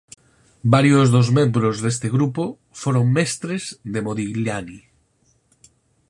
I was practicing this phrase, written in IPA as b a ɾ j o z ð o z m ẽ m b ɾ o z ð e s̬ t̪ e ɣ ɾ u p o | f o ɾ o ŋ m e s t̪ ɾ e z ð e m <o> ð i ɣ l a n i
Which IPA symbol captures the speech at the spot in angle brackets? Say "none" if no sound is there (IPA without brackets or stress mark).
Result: o